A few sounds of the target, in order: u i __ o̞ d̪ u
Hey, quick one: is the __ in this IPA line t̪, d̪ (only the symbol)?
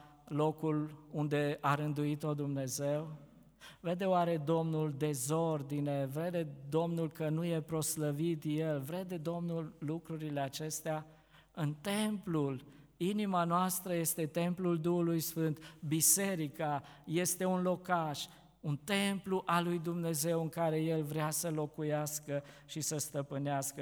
t̪